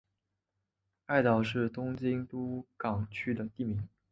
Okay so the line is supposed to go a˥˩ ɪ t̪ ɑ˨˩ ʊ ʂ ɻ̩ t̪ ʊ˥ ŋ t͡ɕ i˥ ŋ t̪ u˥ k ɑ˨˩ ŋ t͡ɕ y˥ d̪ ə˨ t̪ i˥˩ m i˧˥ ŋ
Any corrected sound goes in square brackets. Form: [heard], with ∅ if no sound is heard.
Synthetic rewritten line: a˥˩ ɪ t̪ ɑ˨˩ ʊ ʂ ɻ̩ t̪ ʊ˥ ŋ t͡ɕ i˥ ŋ t̪ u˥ k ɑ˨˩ ŋ [t͡ɕʰ] y˥ d̪ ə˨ t̪ i˥˩ m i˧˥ ŋ